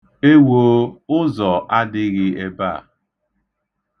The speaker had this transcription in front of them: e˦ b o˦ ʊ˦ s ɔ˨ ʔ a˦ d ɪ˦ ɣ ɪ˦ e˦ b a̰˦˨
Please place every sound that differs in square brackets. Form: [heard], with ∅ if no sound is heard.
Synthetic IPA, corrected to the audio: e˦ [w] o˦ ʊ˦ [z] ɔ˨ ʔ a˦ d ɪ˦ ɣ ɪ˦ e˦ b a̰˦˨